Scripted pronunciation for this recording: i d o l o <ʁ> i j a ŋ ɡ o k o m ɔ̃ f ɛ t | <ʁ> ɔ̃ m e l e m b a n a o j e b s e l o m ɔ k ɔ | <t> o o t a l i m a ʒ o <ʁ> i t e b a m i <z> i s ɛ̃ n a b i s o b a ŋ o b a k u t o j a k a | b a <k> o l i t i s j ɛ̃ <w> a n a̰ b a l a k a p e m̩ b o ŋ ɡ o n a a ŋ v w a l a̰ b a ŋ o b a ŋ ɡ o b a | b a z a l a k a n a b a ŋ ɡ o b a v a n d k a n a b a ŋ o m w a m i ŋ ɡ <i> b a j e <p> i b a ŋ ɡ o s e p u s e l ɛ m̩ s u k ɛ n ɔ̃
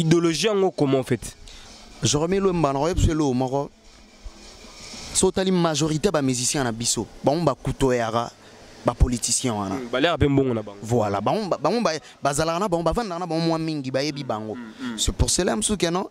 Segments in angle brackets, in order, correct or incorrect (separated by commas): incorrect, incorrect, incorrect, correct, correct, incorrect, correct, correct, incorrect